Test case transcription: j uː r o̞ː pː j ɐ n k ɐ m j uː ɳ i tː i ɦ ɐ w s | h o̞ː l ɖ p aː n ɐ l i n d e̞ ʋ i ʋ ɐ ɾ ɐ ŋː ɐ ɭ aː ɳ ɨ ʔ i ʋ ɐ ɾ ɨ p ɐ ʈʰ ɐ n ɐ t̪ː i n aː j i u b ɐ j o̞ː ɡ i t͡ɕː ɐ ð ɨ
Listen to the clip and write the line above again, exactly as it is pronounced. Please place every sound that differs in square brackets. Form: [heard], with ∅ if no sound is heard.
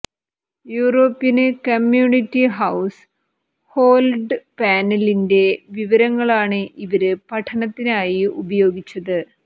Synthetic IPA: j uː r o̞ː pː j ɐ n k ɐ m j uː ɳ i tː i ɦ ɐ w s | h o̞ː l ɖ p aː n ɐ l i n d e̞ ʋ i ʋ ɐ ɾ ɐ ŋː ɐ ɭ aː ɳ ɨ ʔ i ʋ ɐ ɾ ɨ p ɐ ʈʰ ɐ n ɐ t̪ː i n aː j i u b ɐ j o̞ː ɡ i t͡ɕː ɐ ð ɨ